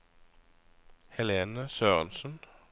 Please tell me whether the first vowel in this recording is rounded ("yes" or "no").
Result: no